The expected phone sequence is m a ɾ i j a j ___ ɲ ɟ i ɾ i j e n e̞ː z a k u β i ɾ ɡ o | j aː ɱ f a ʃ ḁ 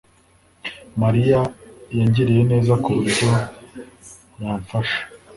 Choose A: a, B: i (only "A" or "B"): A